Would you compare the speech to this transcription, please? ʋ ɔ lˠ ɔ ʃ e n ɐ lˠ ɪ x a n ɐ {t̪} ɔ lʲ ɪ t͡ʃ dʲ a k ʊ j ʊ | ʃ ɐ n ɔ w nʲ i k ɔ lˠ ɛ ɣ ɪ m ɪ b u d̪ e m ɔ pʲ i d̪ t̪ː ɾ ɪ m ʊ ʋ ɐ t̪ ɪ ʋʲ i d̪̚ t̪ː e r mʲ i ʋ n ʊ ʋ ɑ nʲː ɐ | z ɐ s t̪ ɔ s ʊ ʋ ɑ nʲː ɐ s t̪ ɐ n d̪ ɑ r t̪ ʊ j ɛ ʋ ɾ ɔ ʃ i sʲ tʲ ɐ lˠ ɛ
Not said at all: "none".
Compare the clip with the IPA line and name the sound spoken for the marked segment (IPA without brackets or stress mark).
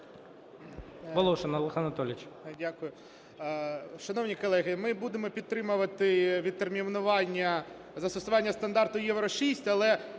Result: t̪